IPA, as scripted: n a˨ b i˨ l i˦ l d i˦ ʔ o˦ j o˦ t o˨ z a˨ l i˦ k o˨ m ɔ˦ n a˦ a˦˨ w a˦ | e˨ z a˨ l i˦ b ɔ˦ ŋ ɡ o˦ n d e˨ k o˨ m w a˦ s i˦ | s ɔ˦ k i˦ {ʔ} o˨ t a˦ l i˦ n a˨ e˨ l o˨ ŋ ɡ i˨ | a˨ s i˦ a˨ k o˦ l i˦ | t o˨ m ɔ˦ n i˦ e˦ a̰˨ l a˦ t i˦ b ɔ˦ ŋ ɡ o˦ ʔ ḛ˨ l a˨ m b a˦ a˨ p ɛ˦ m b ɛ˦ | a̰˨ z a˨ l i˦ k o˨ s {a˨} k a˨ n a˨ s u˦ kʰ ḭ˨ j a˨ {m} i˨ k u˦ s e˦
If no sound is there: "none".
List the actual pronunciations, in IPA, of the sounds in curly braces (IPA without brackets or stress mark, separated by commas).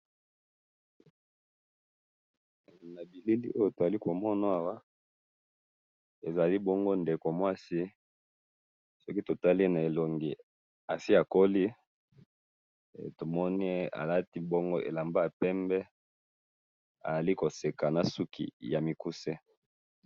t, e˨, m